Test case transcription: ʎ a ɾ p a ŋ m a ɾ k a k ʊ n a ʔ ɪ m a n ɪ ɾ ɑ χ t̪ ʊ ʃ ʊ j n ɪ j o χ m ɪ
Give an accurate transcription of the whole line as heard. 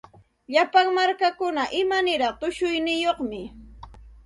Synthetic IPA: ʎ a p a ŋ m a ɾ k a k ʊ n a ʔ ɪ m a n ɪ ɾ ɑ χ t̪ ʊ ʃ ʊ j n ɪ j o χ m ɪ